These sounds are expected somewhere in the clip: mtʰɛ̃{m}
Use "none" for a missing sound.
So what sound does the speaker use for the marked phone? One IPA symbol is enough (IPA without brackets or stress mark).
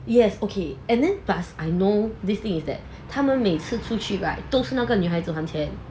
n